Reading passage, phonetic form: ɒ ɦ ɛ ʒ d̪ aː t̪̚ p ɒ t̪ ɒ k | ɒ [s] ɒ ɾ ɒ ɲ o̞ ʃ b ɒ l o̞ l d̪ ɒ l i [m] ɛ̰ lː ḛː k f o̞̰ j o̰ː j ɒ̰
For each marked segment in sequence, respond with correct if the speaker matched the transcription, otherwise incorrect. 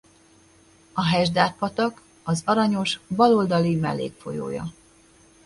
incorrect: z, correct

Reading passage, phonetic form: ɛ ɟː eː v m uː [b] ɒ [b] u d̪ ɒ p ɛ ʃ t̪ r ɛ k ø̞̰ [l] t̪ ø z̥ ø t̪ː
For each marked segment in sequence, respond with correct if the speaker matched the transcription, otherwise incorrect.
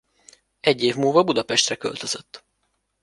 incorrect: v, correct, correct

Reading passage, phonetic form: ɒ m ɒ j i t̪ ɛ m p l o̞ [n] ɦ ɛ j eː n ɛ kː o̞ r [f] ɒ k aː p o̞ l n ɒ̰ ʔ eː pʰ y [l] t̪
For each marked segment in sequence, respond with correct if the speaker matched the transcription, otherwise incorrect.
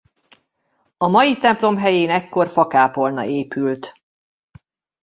incorrect: m, correct, correct

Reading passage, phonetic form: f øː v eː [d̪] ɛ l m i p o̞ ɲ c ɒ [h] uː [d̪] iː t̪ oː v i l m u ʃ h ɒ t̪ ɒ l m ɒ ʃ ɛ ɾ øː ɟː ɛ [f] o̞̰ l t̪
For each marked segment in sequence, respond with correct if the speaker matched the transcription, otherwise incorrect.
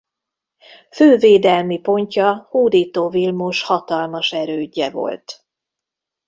correct, correct, correct, incorrect: v

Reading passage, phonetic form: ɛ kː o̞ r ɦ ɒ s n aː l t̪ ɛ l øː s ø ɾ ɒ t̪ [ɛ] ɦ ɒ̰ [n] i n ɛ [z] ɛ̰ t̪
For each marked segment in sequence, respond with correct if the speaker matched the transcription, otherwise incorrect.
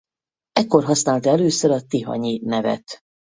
incorrect: i, incorrect: ɲ, incorrect: v

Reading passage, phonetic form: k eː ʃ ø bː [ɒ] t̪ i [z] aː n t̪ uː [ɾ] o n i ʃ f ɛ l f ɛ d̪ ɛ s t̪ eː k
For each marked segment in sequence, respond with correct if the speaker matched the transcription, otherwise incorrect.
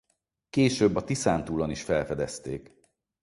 correct, incorrect: s, incorrect: l

